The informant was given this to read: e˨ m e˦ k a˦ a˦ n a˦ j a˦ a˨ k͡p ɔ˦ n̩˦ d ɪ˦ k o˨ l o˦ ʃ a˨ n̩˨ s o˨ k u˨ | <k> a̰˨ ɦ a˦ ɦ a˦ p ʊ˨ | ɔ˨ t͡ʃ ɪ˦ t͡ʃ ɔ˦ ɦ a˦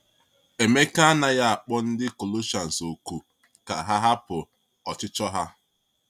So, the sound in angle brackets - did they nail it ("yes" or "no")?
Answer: yes